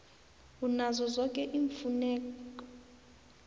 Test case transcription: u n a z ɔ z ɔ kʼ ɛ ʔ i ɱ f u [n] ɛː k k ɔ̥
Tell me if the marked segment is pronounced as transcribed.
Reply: yes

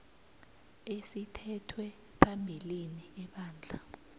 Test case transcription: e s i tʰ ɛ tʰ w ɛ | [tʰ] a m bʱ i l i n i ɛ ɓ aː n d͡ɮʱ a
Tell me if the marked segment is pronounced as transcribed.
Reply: no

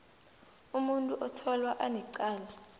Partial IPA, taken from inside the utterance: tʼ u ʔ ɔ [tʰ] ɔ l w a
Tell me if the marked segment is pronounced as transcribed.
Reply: yes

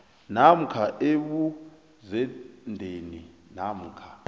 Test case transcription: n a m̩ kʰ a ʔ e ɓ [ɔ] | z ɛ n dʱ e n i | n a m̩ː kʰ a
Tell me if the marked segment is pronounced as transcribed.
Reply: no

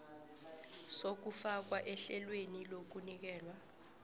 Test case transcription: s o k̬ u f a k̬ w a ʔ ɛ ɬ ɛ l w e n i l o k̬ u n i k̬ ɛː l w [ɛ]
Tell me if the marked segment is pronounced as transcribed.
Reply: no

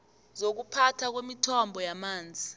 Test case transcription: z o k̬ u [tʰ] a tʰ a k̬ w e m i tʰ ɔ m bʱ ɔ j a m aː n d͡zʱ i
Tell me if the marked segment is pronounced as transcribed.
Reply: no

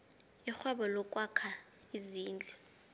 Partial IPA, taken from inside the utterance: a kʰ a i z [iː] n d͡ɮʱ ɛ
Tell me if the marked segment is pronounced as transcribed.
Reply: yes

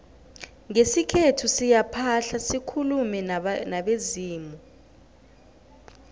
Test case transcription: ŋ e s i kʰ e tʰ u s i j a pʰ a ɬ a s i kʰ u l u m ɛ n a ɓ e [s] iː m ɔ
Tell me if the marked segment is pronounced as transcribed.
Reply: no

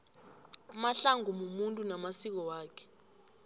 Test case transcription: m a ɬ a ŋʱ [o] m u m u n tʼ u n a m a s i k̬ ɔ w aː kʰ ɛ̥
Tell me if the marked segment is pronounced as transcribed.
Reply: no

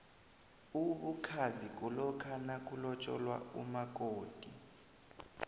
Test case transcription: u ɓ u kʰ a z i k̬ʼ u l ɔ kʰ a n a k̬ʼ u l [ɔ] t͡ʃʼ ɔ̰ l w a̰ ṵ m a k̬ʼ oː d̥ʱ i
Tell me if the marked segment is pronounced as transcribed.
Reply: yes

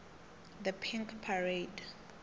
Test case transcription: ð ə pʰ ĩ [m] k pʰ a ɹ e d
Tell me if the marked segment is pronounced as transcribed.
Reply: no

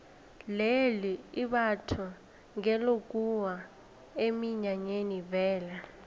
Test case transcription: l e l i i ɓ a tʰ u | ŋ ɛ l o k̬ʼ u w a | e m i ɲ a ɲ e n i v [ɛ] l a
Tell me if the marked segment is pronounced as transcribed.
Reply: no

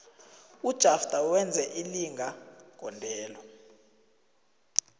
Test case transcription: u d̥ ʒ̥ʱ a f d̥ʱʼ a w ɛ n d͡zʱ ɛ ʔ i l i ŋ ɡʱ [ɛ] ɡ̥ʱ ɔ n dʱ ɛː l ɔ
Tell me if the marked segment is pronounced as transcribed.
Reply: no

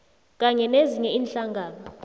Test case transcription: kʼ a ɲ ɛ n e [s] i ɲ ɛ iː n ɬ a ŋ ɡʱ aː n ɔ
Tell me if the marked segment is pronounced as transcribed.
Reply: no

